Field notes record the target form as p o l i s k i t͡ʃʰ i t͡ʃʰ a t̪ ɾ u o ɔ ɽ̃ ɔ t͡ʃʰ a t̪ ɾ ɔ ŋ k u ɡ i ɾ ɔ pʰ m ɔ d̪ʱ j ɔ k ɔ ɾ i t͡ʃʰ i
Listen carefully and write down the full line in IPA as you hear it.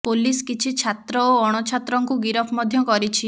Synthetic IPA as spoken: p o l i s k i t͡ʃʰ i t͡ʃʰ a t̪ ɾ ɔ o ɔ ɽ̃ ɔ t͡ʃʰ a t̪ ɾ ɔ ŋ k u ɡ i ɾ ɔ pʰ m ɔ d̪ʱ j ɔ k ɔ ɾ i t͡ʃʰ i